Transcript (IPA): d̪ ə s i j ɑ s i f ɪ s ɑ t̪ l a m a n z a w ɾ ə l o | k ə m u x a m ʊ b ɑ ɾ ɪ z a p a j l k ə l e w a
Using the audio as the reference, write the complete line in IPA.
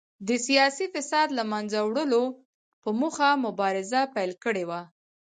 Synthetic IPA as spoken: d̪ ə s i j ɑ s i f ɪ s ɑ d̪ l a m a n z a w ɽ ə l o | p ə m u x a m ʊ b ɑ ɾ ɪ z a p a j l k ə ɽ e w a